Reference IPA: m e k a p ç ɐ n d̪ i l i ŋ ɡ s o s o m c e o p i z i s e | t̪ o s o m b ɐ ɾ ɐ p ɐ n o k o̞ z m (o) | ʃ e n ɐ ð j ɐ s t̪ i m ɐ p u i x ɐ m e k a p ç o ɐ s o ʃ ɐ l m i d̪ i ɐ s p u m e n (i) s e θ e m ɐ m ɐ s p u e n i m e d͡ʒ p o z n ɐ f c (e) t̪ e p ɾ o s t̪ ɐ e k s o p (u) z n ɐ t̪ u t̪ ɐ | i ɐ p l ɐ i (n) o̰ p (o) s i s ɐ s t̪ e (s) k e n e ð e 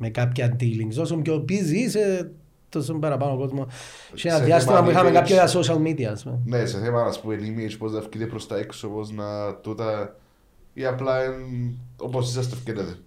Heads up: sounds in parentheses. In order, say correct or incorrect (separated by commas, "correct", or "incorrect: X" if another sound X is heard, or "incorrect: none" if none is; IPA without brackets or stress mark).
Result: correct, incorrect: e, incorrect: i, incorrect: o, correct, correct, incorrect: f